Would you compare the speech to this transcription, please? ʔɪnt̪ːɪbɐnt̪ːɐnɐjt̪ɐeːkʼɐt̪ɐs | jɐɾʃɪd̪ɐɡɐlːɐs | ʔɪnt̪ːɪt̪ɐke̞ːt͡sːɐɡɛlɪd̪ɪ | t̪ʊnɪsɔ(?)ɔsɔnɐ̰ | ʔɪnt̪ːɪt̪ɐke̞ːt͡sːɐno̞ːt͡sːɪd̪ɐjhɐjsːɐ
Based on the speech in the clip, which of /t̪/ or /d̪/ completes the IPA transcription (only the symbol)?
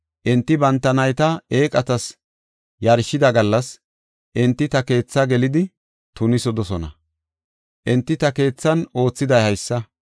d̪